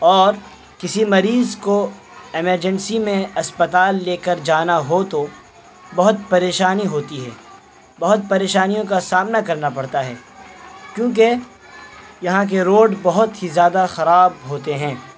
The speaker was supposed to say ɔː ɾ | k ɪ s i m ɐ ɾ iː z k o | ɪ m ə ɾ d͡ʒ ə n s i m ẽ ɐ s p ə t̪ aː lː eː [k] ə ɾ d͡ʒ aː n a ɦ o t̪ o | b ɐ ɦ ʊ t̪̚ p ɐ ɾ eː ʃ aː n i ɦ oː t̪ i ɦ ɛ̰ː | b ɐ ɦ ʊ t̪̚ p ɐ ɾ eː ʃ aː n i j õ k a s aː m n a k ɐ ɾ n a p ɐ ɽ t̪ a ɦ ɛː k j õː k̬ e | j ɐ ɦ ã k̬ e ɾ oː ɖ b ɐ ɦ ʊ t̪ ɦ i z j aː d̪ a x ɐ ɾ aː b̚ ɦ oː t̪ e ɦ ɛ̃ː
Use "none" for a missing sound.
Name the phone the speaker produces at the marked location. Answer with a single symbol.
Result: k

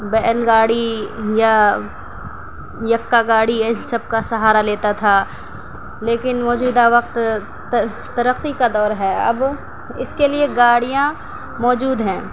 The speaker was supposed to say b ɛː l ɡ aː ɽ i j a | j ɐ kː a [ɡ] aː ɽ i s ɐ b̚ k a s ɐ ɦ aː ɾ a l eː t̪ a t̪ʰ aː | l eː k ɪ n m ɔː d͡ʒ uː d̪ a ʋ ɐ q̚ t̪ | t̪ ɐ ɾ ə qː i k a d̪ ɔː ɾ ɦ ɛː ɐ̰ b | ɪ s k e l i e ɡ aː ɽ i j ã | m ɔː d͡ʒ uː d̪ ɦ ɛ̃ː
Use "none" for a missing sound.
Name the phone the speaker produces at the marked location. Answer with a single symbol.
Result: ɡ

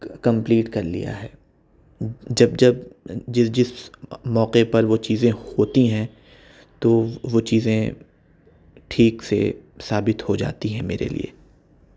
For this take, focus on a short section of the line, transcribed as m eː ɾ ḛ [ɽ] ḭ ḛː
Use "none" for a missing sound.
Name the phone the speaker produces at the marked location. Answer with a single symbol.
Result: l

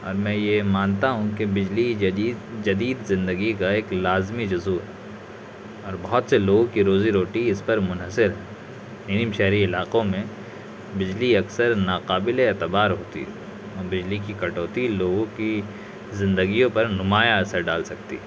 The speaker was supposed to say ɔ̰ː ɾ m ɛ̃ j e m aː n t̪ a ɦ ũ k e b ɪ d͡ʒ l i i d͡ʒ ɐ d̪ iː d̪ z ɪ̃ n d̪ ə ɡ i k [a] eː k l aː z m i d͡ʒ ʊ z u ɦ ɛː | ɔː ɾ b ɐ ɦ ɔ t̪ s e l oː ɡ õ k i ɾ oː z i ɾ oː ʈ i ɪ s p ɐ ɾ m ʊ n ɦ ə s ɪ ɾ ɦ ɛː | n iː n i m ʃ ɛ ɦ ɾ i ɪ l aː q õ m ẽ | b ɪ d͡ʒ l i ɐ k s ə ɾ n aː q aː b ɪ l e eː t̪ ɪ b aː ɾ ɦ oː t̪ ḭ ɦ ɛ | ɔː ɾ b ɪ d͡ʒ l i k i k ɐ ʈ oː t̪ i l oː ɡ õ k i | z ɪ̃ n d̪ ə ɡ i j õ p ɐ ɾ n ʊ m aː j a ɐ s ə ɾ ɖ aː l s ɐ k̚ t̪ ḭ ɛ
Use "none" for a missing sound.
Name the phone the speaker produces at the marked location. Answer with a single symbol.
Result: a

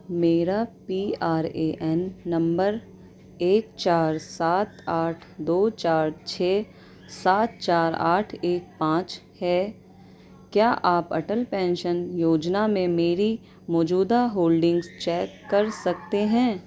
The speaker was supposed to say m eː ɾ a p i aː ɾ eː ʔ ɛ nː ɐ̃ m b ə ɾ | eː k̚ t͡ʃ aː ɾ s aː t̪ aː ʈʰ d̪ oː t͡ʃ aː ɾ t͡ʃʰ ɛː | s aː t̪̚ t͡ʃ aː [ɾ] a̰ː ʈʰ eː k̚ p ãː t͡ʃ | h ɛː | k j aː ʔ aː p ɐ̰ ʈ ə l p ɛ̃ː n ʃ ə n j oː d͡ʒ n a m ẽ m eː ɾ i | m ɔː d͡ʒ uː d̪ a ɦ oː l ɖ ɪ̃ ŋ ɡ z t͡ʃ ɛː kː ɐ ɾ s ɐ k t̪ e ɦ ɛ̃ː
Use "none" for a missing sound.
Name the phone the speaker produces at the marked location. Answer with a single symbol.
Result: ɾ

